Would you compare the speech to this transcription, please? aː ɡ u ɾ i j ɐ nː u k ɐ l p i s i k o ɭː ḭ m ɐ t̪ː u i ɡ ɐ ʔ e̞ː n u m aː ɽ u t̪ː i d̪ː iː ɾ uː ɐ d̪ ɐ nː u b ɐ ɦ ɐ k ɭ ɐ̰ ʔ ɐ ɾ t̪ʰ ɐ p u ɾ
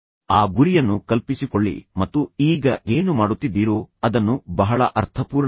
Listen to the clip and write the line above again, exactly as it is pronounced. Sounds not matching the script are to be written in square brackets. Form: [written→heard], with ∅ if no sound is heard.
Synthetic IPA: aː ɡ u ɾ i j ɐ nː u k ɐ l p i s i k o ɭː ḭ m ɐ t̪ː u [i→iː] ɡ ɐ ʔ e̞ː n u m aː ɽ u t̪ː i d̪ː iː ɾ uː ɐ d̪ ɐ nː u b ɐ ɦ ɐ [k→∅] ɭ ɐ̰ ʔ ɐ ɾ t̪ʰ ɐ p [u→uː] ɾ